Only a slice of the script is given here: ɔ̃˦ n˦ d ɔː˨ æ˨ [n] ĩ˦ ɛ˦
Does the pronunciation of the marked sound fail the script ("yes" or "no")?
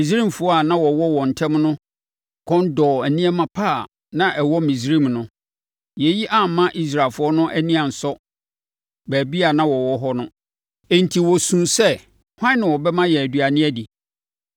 no